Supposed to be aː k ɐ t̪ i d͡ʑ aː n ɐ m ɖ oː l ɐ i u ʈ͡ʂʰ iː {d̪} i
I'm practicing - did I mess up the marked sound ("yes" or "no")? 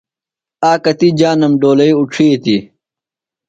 yes